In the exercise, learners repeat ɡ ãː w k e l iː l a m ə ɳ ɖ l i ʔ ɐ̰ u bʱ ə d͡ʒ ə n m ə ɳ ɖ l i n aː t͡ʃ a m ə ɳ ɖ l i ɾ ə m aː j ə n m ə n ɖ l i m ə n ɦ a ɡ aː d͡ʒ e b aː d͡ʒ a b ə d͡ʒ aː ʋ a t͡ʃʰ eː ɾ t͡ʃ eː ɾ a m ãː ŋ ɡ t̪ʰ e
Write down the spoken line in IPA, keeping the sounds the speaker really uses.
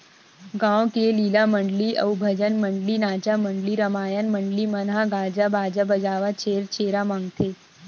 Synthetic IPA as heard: ɡ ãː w k e l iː l a m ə ɳ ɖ l i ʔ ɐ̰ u bʱ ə d͡ʒ ə n m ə ɳ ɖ l i n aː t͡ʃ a m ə ɳ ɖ l i ɾ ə m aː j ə n m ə ɳ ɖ l i m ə n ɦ a ɡ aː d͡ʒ a b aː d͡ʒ a b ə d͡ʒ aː ʋ a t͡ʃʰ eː ɾ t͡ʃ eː ɾ a m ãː ŋ ɡ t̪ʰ e

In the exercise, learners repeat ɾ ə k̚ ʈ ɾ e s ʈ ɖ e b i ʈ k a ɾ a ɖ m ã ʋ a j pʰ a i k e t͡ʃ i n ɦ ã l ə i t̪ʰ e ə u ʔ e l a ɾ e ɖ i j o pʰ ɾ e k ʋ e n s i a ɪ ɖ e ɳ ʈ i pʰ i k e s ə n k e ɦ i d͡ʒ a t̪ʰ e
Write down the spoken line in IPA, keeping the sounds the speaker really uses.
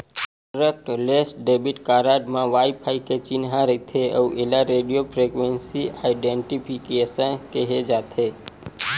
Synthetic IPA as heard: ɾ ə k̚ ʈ l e s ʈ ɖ e b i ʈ k a ɾ a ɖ m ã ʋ a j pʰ a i k e t͡ʃ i n ɦ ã ɾ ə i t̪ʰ e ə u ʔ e l a ɾ e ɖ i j o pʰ ɾ e k ʋ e n s i a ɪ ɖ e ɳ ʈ i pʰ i k e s ə n k e ɦ e d͡ʒ a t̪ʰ e

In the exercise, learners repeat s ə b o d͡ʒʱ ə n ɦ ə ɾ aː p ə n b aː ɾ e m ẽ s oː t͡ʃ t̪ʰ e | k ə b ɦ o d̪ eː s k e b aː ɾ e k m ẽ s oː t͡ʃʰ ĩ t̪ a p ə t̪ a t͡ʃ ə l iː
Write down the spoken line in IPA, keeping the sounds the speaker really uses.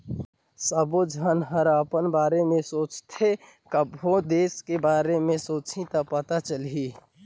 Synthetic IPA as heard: s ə b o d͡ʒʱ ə n ɦ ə ɾ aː p ə n b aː ɾ e m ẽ s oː t͡ʃ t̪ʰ e | k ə b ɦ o d̪ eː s k e b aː ɾ e m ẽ s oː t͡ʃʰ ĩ t̪ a p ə t̪ a t͡ʃ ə l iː

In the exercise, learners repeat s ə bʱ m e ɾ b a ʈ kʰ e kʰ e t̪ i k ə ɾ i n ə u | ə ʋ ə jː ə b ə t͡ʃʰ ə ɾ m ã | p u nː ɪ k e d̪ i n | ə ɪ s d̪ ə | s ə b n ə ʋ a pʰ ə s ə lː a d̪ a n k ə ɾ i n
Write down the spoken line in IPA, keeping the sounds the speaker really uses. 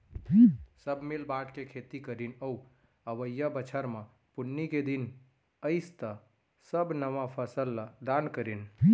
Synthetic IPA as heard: s ə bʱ m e l b a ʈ k e kʰ e t̪ i k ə ɾ i n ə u | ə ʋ ə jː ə b ə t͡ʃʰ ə ɾ m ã | p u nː i k e d̪ i n | ə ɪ s t̪ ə | s ə b n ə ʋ a pʰ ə s ə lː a d̪ a n k ə ɾ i n

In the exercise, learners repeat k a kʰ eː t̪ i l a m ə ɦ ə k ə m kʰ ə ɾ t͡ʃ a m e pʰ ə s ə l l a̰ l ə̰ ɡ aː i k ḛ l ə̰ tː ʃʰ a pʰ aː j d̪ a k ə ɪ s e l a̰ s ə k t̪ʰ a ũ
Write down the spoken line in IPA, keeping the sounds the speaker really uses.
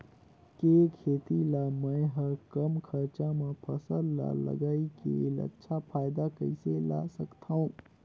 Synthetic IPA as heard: k e kʰ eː t̪ i l a m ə ɦ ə k ə m kʰ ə ɾ t͡ʃ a m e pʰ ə s ə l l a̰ l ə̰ ɡ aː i k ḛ l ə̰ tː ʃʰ a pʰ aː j d̪ a k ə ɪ s e l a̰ s ə k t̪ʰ a ũ

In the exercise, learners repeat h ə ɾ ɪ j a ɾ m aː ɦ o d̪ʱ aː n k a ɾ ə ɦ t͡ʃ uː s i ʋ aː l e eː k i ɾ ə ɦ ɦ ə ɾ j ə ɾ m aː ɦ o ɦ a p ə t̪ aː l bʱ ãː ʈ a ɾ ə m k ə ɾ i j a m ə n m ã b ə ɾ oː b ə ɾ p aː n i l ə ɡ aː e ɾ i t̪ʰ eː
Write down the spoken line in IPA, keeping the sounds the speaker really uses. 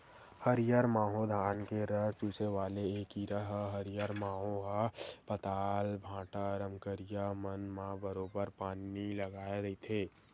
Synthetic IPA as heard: h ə ɾ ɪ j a ɾ m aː ɦ o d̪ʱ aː n k e ɾ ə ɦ t͡ʃ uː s e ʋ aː l e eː k i ɾ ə ɦ ɦ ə ɾ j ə ɾ m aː ɦ o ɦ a p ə t̪ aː l bʱ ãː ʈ a ɾ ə m k ə ɾ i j a m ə n m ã b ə ɾ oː b ə ɾ p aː n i l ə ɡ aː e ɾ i t̪ʰ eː

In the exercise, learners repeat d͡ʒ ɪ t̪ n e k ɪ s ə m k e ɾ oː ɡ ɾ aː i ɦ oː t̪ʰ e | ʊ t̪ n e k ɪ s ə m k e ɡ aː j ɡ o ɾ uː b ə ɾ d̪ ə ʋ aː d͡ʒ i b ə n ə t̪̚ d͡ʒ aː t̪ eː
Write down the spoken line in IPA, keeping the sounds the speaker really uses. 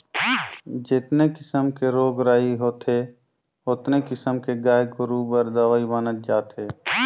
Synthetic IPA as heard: d͡ʒ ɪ t̪ n e k ɪ s ə m k e ɾ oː ɡ ɾ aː i ɦ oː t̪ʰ e | ʊ t̪ n e k ɪ s ə m k e ɡ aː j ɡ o ɾ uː b ə ɾ d̪ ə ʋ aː i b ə n ə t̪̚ d͡ʒ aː t̪ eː

